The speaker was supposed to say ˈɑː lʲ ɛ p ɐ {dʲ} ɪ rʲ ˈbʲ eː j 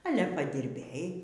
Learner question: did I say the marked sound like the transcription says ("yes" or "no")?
yes